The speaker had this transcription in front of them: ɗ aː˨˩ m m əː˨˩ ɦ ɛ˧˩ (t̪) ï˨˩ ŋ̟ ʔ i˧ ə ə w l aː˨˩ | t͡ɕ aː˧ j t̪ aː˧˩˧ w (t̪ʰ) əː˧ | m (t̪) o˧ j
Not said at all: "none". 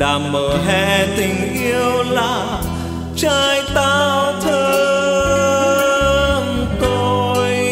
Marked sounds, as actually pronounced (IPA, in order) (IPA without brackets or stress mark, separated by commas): t̪, t̪ʰ, t̪